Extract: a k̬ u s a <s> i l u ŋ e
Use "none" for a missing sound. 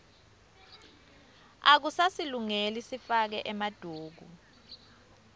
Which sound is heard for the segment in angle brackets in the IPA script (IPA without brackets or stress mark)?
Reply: s